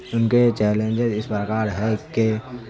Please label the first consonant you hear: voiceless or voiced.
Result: voiced